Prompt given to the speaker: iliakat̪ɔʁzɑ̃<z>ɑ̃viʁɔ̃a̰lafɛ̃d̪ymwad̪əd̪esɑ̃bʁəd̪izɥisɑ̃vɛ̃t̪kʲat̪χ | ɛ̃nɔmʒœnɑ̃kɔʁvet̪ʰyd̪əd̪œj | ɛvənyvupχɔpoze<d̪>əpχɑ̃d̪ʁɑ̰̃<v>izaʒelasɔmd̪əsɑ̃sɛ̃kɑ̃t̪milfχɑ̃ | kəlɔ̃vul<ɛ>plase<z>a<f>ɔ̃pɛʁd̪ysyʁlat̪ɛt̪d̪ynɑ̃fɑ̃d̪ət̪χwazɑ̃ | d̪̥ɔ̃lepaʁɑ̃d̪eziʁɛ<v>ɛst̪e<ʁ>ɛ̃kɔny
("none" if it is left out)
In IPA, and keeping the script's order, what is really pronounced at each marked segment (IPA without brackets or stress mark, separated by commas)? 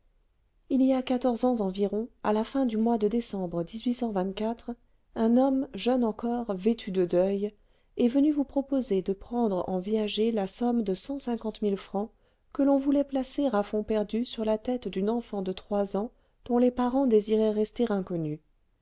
z, d̪, v, ɛ, ʁ, f, ʁ, ʁ